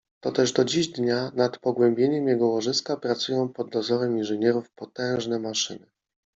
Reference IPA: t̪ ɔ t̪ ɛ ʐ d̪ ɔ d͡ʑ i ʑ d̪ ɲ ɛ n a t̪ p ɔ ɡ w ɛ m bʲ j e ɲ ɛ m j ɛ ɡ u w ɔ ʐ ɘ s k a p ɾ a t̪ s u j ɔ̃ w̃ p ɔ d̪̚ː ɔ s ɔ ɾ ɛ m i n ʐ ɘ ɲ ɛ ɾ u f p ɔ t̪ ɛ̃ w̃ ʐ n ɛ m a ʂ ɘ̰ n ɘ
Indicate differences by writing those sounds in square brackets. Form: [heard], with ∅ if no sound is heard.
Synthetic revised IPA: t̪ ɔ t̪ ɛ ʐ d̪ ɔ d͡ʑ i ʑ d̪ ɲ [a] n a t̪ p ɔ ɡ w ɛ m bʲ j e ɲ ɛ m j ɛ ɡ [ɔ] w ɔ ʐ ɘ s k a p ɾ a t̪ s u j ɔ̃ w̃ p ɔ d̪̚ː ɔ [z] ɔ ɾ ɛ m i n ʐ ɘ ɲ ɛ ɾ u f p ɔ t̪ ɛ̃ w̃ ʐ n ɛ m a ʂ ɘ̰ n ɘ